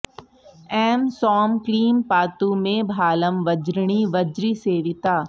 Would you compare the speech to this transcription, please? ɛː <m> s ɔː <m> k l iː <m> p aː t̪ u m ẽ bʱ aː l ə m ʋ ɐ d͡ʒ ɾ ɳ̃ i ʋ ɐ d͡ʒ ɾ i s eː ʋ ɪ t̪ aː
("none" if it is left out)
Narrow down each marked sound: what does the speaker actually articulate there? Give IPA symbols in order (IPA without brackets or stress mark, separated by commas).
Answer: m, m, m